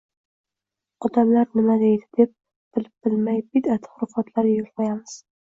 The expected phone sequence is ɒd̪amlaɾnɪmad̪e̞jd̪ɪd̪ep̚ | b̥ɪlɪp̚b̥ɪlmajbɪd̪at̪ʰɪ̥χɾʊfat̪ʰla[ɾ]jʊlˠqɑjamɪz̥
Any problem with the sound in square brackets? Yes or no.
no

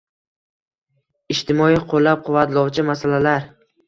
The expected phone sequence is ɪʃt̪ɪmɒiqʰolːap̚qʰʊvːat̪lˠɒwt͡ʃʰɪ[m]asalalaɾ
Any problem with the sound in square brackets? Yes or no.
no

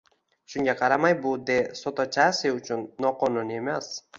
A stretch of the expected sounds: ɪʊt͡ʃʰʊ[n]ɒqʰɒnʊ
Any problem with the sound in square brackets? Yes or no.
yes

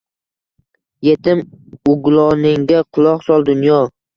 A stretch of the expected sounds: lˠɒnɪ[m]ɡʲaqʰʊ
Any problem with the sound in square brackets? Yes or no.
yes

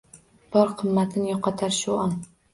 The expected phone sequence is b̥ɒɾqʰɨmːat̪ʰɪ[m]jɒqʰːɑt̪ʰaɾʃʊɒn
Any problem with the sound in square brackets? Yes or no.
yes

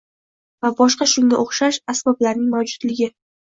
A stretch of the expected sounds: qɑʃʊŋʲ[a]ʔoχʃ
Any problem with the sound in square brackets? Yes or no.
no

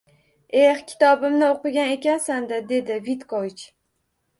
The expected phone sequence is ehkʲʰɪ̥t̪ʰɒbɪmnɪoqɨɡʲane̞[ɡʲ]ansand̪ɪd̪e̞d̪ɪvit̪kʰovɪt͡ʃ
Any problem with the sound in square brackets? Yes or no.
yes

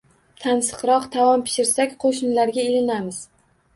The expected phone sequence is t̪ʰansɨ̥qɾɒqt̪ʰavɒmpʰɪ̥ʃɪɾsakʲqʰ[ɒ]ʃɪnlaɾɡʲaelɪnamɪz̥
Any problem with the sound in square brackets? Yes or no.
yes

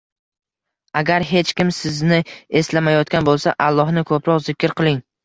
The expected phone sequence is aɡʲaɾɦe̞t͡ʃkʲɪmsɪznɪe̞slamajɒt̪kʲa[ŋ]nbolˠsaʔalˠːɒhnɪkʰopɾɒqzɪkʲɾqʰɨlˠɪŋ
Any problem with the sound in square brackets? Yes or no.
yes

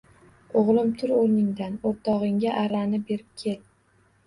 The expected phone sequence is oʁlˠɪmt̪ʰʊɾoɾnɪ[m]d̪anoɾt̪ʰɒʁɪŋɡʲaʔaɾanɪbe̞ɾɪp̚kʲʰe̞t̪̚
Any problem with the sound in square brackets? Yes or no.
yes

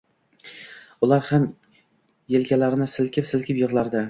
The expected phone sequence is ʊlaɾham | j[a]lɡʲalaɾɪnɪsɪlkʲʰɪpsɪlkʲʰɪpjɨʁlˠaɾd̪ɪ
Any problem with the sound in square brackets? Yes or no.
yes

